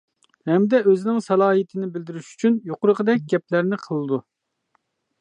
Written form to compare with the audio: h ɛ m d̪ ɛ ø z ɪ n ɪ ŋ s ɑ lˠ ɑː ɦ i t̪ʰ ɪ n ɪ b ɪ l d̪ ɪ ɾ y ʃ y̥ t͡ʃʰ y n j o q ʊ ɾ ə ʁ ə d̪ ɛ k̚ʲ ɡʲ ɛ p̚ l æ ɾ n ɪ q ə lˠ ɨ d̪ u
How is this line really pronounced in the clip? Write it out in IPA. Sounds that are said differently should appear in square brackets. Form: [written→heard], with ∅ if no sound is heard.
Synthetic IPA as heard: h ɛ m d̪ ɛ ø z ɪ n ɪ ŋ s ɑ lˠ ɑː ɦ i t̪ʰ ɪ n ɪ b ɪ l d̪ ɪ ɾ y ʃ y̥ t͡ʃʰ y n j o q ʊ ɾ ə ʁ ə d̪ ɛ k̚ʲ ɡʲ ɛ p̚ l æ ɾ n ɪ [q→qʰ] ə lˠ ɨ d̪ u